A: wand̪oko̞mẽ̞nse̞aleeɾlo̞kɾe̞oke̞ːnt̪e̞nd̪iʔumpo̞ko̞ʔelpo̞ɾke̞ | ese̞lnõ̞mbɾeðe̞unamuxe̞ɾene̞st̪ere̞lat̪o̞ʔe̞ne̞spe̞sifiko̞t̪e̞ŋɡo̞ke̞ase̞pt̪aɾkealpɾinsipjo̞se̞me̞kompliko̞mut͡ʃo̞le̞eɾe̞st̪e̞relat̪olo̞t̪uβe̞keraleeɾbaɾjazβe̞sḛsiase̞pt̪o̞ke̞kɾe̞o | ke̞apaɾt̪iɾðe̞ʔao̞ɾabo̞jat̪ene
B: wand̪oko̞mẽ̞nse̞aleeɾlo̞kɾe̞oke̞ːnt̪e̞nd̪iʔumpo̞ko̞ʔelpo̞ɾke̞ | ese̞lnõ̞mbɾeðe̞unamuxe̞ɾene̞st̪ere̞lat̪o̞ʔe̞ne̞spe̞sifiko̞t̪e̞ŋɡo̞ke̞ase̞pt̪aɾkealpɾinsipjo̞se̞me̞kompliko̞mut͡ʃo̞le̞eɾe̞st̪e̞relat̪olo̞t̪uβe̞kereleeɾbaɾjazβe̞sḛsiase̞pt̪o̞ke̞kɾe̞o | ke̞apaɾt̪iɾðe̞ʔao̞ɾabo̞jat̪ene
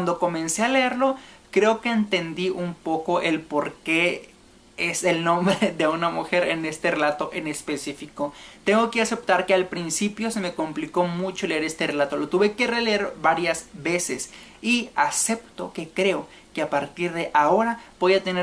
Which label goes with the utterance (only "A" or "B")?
B